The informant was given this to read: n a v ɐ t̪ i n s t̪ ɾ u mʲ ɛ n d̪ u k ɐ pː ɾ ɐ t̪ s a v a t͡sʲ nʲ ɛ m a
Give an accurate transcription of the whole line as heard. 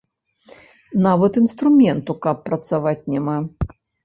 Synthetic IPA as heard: n a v ɐ t̪ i n s t̪ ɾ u mʲ ɛ n t̪ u k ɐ pː ɾ ɐ t̪ s a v a t͡sʲ nʲ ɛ m a

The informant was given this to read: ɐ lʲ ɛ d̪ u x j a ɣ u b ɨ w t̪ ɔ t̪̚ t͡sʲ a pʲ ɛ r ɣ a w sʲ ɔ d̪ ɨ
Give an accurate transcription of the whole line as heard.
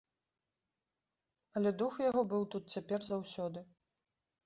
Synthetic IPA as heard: ɐ lʲ ɛ d̪ u x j a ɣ ɔ b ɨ w t̪ u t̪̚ t͡sʲ a pʲ ɛ r z a w sʲ ɔ d̪ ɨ

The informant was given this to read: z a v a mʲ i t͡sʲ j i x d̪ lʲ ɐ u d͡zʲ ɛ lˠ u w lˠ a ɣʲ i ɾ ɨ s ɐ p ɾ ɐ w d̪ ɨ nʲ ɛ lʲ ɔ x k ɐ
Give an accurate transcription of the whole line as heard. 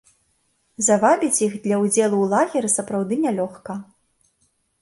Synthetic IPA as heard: z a v a bʲ i t͡sʲ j i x d̪ lʲ ɐ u d͡zʲ ɛ lˠ u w lˠ a ɣʲ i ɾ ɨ s ɐ p ɾ a w d̪ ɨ nʲ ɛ lʲ ɔ x k ɐ

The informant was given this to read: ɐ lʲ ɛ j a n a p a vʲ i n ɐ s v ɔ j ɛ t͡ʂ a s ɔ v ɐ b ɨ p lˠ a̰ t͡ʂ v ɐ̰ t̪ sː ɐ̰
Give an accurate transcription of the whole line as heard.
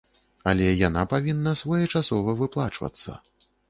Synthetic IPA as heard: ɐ lʲ ɛ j a n a p a vʲ i nː ɐ s v ɔ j ɛ t͡ʂ a s ɔ v ɐ v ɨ p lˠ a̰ t͡ʂ v ɐ̰ t̪ sː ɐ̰

